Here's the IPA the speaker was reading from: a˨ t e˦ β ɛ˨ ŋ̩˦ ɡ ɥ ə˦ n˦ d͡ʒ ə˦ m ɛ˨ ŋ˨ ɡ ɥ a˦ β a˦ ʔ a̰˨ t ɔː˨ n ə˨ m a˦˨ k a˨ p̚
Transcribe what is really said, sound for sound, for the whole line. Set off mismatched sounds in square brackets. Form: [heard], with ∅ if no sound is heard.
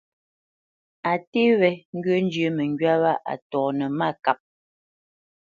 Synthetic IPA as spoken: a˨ t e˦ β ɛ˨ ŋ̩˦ ɡ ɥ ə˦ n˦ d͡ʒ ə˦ m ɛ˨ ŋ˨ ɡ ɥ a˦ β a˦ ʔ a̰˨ t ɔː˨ n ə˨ m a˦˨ k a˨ p̚